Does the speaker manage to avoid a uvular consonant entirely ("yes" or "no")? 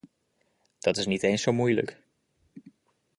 yes